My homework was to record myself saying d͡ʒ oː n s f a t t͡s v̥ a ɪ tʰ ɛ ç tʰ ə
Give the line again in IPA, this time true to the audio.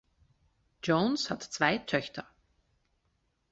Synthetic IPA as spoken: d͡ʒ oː n s h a t t͡s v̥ a ɪ tʰ œ ç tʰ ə

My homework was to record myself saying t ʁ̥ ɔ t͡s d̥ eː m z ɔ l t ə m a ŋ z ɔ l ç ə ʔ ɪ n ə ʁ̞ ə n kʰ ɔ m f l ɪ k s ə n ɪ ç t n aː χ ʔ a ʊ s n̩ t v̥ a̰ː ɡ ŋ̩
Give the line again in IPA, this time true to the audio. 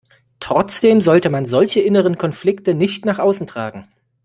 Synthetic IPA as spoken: t ʁ̥ ɔ t͡s d̥ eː m z ɔ l t ə m a n z ɔ l ç ə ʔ ɪ n ə ʁ̞ ə n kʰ ɔ n f l ɪ k t ə n ɪ ç t n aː χ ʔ a ʊ s n̩ t ʁ̥ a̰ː ɡ ŋ̩

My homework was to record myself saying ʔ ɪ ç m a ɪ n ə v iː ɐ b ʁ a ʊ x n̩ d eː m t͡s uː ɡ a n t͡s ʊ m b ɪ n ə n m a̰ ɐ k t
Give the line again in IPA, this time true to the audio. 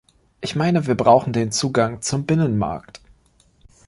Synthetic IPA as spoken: ʔ ɪ ç m a ɪ n ə v iː ɐ b ʁ a ʊ x n̩ d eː n t͡s uː ɡ a ŋ t͡s ʊ m b ɪ n ə n m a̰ ɐ k t

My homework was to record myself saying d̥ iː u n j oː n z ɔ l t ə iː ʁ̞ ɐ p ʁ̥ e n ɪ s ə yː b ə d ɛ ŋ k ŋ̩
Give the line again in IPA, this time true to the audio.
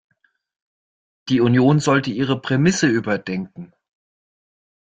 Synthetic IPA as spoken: d̥ iː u n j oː n z ɔ l t ə iː ʁ̞ ə p ʁ̥ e m ɪ s ə yː b ɐ d ɛ ŋ k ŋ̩

